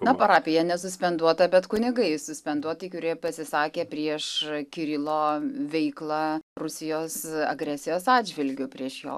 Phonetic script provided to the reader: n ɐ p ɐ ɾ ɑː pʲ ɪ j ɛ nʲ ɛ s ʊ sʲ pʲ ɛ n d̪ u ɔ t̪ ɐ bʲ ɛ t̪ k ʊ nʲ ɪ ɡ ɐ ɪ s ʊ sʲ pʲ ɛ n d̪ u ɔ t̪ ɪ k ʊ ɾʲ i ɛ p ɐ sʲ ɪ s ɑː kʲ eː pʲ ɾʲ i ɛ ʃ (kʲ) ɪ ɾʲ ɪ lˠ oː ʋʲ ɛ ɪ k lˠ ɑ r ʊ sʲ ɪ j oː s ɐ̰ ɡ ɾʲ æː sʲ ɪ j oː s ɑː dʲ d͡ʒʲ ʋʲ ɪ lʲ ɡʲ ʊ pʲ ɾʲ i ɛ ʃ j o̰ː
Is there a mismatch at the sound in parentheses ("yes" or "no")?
no